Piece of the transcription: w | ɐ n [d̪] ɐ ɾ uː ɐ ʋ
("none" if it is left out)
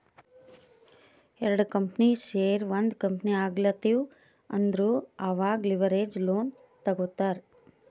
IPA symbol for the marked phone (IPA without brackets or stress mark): d̪